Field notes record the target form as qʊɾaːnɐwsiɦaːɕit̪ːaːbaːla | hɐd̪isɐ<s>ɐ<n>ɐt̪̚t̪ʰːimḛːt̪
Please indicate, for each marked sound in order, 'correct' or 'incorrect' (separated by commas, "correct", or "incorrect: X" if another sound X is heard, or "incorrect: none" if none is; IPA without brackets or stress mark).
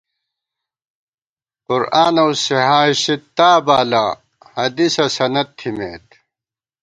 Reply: correct, correct